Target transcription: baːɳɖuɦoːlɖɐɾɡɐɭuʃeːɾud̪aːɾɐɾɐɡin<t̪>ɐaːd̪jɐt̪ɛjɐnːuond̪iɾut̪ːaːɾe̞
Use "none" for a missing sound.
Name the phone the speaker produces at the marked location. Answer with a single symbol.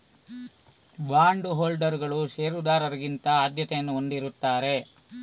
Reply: t̪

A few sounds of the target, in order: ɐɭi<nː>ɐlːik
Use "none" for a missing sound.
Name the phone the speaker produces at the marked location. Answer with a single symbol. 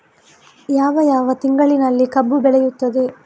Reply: n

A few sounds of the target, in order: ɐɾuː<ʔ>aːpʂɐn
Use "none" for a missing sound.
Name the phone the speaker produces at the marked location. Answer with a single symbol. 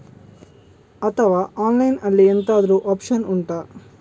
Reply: ʔ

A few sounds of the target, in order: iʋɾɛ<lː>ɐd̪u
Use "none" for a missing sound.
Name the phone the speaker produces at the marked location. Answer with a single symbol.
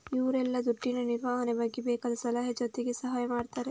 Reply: lː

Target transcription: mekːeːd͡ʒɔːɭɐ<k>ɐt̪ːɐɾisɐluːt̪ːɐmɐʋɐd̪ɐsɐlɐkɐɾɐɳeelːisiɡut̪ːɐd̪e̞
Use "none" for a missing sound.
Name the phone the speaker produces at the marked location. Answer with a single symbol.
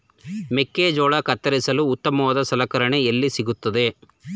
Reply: k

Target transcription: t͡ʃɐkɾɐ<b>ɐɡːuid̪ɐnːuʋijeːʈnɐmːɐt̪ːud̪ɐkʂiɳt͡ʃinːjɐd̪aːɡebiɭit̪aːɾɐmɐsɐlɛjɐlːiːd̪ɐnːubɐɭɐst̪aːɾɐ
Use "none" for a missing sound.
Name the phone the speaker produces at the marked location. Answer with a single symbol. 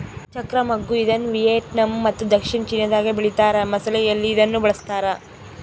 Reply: m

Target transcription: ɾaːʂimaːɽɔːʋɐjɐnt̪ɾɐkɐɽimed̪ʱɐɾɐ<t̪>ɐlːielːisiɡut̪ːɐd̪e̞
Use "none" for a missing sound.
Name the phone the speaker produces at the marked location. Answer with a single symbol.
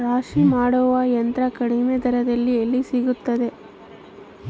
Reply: d̪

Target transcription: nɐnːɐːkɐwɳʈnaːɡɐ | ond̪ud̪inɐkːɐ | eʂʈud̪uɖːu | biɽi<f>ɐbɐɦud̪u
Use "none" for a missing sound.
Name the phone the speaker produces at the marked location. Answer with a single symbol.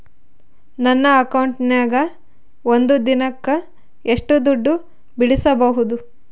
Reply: s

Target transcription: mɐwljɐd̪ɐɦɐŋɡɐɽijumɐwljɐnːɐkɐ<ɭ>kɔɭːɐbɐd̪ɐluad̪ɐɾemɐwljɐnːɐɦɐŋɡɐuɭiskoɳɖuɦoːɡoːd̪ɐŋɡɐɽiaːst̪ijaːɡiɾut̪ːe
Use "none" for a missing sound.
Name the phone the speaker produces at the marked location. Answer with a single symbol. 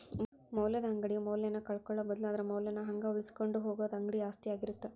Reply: ɭ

